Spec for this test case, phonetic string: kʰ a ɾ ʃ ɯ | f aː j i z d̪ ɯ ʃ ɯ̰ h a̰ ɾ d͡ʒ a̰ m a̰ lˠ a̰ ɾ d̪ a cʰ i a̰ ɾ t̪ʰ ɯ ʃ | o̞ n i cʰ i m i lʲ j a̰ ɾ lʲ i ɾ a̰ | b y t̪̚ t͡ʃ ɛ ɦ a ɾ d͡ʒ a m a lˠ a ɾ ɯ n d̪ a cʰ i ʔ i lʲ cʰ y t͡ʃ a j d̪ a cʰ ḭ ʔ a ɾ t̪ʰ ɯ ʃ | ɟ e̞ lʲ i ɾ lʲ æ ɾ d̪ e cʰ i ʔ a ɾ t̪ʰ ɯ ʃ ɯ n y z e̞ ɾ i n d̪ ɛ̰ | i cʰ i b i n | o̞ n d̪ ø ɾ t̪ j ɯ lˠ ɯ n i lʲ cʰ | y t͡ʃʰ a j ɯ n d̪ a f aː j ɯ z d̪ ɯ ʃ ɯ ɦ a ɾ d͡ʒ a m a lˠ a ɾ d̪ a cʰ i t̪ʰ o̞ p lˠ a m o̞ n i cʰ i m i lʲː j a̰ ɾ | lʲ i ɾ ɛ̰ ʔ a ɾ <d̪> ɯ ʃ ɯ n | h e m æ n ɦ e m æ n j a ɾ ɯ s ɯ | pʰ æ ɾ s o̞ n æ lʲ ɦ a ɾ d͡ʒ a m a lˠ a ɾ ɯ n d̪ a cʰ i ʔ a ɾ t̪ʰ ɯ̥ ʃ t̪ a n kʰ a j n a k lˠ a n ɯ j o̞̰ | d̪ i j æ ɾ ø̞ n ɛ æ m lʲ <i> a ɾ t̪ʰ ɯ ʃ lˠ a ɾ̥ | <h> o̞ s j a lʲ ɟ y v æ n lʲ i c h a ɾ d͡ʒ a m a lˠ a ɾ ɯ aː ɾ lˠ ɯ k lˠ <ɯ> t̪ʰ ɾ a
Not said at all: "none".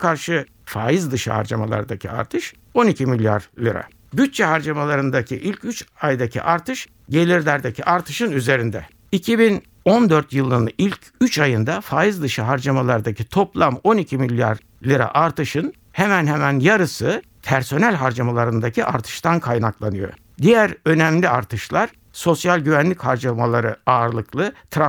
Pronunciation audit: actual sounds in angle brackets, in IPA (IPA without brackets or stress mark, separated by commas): t̪, i, s, ɯ